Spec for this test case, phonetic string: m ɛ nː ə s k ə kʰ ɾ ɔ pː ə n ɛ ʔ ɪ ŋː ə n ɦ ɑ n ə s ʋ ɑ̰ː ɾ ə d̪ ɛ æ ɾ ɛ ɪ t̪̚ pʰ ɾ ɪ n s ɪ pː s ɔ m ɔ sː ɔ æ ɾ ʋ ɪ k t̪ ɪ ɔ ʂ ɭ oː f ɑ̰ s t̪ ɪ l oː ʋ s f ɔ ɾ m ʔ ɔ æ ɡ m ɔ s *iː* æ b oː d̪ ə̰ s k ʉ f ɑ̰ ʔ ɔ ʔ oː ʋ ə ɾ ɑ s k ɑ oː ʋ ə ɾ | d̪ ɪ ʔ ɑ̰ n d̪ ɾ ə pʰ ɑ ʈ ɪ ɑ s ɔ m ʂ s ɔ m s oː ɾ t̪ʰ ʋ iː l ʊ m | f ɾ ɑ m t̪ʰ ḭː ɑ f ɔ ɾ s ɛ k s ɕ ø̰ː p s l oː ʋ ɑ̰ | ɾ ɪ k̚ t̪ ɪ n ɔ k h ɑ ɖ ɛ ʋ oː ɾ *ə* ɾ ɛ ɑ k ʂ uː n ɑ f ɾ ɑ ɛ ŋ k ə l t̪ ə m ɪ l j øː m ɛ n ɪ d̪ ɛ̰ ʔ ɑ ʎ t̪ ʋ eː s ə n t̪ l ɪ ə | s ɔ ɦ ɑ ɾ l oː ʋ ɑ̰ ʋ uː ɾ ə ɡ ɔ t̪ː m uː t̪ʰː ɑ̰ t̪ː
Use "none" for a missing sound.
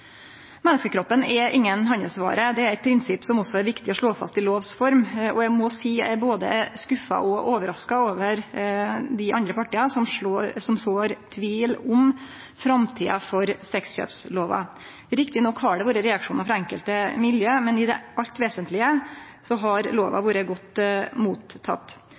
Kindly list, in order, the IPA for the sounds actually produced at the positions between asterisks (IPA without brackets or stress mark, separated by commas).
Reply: iː, ə